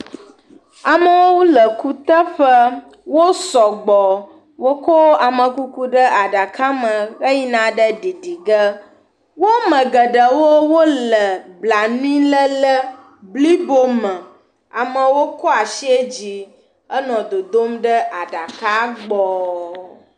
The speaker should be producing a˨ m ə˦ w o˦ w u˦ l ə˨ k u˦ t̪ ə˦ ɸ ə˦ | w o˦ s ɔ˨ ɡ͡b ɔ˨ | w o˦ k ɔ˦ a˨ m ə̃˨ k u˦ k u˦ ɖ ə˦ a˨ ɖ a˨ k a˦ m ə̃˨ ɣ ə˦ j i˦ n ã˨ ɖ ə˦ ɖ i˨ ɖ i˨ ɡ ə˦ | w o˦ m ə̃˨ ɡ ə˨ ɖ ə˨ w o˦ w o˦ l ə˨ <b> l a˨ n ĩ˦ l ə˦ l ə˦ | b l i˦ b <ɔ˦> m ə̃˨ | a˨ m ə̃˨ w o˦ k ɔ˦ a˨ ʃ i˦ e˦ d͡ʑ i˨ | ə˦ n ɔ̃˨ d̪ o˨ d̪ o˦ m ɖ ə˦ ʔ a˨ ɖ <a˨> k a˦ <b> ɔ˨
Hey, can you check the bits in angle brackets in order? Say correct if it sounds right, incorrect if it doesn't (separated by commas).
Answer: correct, incorrect, correct, incorrect